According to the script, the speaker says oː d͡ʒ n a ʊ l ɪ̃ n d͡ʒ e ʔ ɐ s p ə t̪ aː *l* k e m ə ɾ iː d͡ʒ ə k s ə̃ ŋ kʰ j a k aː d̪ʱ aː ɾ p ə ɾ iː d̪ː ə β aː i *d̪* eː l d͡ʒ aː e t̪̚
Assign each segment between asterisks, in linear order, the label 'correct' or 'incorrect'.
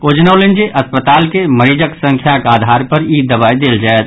correct, correct

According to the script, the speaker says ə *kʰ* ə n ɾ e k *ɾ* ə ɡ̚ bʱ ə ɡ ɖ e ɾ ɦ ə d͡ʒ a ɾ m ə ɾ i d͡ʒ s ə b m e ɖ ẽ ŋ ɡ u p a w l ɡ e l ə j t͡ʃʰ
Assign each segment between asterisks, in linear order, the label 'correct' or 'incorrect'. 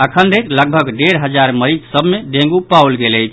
correct, incorrect: l

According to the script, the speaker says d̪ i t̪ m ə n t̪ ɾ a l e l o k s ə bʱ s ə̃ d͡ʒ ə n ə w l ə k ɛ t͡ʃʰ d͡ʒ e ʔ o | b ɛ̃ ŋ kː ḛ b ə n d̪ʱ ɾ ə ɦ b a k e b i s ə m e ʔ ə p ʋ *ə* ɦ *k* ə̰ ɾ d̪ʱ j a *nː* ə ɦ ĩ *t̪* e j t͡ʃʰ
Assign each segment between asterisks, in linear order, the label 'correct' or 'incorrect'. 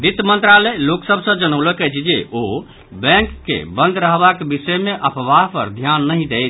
incorrect: a, incorrect: p, correct, incorrect: d̪

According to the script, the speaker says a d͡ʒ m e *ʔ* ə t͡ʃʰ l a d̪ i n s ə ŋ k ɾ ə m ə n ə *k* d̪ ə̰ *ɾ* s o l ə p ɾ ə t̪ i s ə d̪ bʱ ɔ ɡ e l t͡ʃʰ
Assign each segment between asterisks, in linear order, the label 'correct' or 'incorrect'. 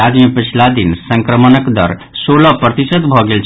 incorrect: p, correct, correct

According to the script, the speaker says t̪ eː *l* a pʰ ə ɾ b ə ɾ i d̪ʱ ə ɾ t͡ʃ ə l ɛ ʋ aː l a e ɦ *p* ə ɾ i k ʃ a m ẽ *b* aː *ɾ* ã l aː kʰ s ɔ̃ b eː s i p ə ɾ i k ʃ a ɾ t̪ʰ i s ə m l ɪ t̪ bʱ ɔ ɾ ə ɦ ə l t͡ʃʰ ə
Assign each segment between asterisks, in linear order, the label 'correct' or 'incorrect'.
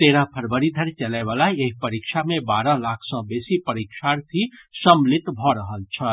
incorrect: ɾ, correct, correct, correct

